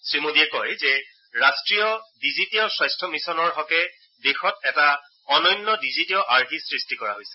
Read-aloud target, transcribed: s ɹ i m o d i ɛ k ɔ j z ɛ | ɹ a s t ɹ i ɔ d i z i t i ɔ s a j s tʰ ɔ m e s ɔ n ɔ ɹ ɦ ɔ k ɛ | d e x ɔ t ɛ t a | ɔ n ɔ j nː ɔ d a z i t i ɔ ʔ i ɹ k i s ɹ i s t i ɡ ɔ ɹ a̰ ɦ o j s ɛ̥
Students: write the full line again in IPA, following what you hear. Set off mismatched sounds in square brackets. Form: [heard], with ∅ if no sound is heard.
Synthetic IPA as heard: s ɹ i m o d i ɛ k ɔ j z ɛ | ɹ a s t ɹ i ɔ d i z i t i ɔ s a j s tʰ ɔ m [i] s ɔ n ɔ ɹ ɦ ɔ k ɛ | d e x ɔ t ɛ t a | ɔ n ɔ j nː ɔ d [i] z i t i ɔ ʔ [a] ɹ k i s ɹ i s t i [k] ɔ ɹ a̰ ɦ o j s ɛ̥